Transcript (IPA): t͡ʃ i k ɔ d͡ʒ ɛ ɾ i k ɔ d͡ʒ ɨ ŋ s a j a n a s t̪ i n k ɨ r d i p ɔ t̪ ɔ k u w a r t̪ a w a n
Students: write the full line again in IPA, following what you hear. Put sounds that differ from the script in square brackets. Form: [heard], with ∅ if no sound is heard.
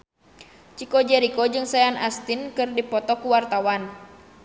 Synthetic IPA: t͡ʃ i k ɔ d͡ʒ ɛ ɾ i k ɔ d͡ʒ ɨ ŋ s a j a n a s t̪ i n k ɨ r d i p ɔ t̪ ɔ k u w a r t̪ a w a n